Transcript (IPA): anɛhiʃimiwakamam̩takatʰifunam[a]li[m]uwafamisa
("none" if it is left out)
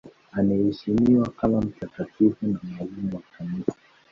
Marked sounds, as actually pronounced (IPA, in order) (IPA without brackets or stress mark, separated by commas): a, m